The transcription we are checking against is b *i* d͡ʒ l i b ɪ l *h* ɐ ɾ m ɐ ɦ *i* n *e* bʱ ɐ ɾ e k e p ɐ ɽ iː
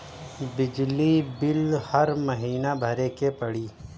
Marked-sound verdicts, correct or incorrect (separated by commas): incorrect, correct, incorrect, incorrect